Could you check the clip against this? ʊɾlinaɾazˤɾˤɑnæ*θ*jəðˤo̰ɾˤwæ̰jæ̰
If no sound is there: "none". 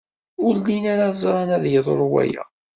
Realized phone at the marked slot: ð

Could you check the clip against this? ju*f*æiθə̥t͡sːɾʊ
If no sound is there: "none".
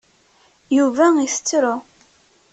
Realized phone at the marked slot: v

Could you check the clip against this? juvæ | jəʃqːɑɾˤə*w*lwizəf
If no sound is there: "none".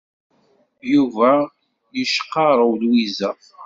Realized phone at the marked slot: w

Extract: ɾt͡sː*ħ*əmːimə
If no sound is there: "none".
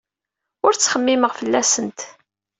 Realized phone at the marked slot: χ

